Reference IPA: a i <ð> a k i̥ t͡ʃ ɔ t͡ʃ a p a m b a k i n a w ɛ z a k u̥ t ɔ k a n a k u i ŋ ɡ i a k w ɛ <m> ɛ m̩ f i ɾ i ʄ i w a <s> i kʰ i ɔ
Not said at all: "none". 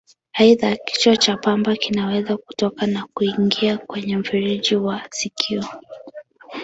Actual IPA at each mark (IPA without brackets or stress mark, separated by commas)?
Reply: ð, ɲ, s